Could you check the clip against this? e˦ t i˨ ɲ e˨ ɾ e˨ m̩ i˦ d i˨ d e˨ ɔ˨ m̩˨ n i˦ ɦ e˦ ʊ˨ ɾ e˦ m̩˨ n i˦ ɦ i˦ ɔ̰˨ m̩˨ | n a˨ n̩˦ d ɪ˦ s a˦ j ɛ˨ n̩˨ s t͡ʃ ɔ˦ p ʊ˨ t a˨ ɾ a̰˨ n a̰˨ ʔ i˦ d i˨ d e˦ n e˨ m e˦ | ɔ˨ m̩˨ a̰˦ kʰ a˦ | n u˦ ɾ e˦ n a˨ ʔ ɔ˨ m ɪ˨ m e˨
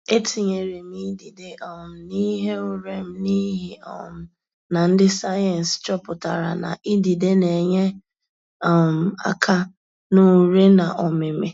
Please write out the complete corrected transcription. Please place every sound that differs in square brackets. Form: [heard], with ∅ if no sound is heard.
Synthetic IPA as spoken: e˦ t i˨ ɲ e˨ ɾ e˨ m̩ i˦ d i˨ d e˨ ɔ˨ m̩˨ n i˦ ɦ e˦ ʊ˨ ɾ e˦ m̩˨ n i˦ ɦ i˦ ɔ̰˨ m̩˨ | n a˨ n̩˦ d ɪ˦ s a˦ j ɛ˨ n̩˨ s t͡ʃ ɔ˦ p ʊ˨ t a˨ ɾ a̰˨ n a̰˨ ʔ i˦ d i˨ d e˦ n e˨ [ɲ] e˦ | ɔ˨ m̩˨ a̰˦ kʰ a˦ | n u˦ ɾ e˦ n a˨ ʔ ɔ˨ m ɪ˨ m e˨